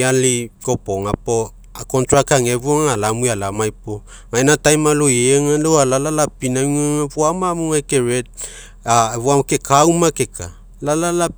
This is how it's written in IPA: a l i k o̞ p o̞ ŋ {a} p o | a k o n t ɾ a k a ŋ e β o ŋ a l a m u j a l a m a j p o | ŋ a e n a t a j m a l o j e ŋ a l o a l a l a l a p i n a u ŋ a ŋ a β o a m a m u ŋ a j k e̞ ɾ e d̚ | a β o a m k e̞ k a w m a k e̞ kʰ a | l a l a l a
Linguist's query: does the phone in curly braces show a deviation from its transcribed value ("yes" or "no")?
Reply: no